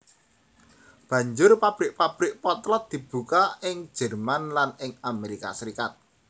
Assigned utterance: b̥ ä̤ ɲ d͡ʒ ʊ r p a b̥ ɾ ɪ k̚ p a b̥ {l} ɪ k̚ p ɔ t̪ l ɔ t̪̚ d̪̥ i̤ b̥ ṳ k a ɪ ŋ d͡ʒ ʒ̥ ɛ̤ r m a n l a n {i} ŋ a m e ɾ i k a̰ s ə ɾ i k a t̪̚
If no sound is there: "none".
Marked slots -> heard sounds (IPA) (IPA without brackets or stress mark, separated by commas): ɾ, ɪ